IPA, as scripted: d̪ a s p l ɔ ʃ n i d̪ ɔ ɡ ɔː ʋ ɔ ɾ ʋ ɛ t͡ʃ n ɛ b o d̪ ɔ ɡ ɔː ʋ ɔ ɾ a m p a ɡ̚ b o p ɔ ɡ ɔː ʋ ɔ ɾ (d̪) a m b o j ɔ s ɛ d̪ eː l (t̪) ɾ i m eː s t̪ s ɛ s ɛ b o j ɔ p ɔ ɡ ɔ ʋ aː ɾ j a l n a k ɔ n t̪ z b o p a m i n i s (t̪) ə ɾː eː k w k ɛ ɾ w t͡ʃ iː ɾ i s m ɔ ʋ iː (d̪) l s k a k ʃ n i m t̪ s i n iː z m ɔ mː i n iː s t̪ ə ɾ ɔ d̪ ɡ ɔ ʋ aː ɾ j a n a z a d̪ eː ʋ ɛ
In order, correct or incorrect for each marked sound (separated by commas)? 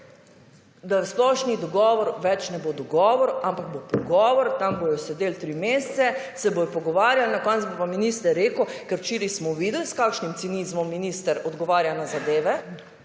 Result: incorrect, correct, correct, correct